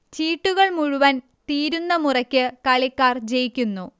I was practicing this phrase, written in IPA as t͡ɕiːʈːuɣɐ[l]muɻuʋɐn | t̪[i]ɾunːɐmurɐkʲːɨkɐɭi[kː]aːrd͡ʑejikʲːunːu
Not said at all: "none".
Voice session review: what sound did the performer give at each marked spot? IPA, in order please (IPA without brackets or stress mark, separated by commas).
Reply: ɭ, iː, kː